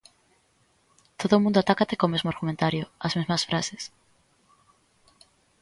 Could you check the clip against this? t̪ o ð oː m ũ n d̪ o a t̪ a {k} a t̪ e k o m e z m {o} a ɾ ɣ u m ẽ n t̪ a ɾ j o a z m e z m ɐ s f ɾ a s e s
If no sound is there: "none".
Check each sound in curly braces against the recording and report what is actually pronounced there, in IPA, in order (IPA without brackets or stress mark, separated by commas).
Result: k, o